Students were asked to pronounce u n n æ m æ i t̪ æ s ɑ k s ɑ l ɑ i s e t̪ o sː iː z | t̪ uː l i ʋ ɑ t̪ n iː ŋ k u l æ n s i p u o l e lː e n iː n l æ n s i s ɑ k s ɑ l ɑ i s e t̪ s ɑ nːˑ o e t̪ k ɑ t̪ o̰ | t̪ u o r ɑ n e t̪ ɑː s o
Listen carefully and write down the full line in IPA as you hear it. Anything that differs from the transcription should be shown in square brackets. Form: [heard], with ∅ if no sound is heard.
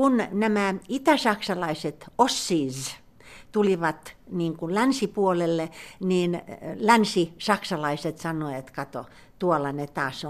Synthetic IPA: u n n æ m æ i t̪ æ s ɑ k s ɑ l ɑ i s e t̪ o sː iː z | t̪ [u] l i ʋ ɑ t̪ n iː ŋ k u l æ n s i p u o l e lː e n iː n l æ n s i s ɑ k s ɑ l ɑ i s e t̪ s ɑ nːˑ o e t̪ k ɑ t̪ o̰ | t̪ u o [l] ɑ n e t̪ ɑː s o